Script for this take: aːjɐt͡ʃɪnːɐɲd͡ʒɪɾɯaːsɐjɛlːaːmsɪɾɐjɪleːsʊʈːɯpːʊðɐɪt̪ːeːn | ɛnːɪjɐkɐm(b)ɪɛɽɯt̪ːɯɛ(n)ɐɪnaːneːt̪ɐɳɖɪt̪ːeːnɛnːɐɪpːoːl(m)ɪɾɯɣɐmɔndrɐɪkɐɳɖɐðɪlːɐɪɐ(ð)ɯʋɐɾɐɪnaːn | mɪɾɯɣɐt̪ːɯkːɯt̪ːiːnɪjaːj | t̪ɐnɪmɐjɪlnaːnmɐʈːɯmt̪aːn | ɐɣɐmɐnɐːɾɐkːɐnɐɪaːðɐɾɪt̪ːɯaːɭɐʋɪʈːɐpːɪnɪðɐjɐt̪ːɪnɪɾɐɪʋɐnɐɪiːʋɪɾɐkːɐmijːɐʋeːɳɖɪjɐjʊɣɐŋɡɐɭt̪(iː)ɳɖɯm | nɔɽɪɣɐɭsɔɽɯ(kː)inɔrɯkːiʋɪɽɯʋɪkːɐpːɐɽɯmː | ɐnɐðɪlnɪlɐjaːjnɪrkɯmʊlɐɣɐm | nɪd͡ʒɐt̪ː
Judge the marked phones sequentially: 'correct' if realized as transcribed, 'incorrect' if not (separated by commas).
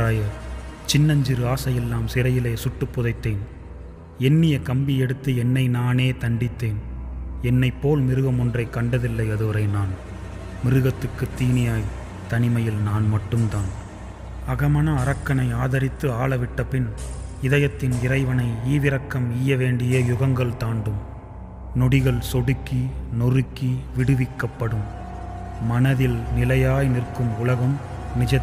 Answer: correct, incorrect, correct, correct, incorrect, correct